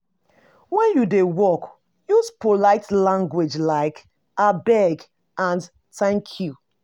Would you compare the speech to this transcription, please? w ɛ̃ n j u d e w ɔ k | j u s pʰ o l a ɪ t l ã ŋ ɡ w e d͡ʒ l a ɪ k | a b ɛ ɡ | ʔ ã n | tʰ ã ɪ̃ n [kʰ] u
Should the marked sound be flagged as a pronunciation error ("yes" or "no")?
no